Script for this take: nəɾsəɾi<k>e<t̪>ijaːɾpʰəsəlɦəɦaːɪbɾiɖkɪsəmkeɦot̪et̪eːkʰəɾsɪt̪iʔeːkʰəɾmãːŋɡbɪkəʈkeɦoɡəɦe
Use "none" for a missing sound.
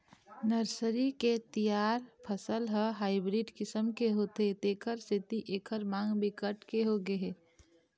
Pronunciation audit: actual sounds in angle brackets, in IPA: k, t̪

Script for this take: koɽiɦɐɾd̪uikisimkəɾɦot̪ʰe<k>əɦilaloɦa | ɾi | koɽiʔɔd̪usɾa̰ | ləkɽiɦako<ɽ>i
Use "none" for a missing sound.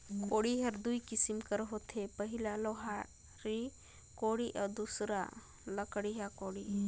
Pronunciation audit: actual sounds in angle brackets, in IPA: p, ɽ

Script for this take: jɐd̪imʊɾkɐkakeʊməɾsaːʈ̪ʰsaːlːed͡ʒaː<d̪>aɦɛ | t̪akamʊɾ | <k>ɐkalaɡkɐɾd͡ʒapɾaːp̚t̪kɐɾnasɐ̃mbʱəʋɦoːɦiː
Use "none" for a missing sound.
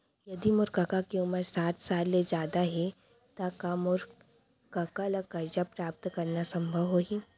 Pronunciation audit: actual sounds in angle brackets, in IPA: d̪, k

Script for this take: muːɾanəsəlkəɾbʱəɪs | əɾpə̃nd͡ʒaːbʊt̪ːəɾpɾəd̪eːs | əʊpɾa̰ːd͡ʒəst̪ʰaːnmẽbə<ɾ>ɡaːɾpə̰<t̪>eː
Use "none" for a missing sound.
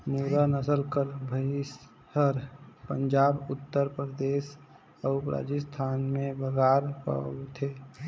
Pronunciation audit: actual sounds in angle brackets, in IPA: none, t̪ʰ

